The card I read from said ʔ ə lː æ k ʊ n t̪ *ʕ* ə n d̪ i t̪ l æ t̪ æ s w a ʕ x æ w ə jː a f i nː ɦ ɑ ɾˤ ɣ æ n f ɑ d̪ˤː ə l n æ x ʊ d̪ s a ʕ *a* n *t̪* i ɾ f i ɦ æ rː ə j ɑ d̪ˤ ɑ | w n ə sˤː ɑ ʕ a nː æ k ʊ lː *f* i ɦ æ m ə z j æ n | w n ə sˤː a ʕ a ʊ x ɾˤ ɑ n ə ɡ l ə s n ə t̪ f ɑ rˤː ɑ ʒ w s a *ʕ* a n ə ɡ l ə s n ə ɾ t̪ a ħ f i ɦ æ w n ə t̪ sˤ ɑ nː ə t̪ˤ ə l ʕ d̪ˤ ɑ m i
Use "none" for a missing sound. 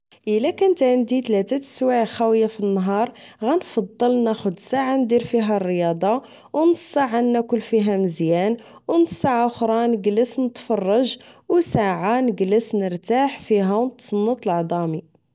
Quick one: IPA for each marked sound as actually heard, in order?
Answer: ʕ, a, d̪, f, ʕ

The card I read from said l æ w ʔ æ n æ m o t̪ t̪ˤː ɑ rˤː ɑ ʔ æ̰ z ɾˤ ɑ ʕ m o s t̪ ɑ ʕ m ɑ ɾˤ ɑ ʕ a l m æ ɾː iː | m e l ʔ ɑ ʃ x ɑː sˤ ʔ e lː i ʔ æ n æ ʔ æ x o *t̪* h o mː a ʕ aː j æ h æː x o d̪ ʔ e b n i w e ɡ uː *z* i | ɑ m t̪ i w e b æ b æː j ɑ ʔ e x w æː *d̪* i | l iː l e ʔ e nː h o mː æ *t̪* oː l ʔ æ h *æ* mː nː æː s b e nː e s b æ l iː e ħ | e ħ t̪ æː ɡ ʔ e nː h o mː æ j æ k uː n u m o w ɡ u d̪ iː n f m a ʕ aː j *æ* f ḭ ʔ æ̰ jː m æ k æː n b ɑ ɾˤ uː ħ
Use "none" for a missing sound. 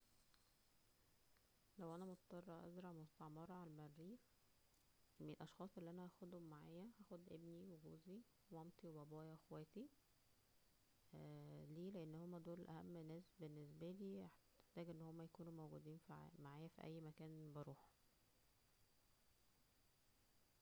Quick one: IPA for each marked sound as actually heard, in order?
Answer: d̪, z, t̪, d̪, æ, æ

